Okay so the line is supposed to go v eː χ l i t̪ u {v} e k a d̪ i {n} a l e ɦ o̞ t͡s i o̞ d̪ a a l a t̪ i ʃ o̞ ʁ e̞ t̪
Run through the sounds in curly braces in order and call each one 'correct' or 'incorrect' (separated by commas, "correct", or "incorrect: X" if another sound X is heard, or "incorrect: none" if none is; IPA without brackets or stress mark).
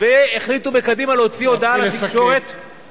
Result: incorrect: b, incorrect: m